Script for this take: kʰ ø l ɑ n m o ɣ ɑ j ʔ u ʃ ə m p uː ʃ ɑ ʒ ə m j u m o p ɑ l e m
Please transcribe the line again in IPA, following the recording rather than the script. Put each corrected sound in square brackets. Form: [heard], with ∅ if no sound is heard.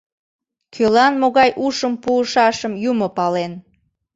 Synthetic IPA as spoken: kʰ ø l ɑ n m o ɣ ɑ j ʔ u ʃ ə m p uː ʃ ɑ [ʃ] ə m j u m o p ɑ l e [n]